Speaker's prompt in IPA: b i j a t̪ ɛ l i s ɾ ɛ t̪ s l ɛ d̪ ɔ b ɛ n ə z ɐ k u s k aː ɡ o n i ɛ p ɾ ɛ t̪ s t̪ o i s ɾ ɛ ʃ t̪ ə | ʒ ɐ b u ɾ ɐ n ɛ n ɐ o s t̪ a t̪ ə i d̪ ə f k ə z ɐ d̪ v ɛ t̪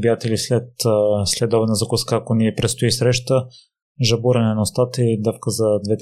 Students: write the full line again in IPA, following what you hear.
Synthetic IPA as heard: b i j a t̪ ɛ l i s l ɛ t̪ s l ɛ d̪ ɔ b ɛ n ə z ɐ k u s k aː k o n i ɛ p ɾ ɛ t̪ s t̪ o i s ɾ ɛ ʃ t̪ ə | ʒ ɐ b u ɾ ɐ n ɛ n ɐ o s t̪ a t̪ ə i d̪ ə f k ə z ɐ d̪ v ɛ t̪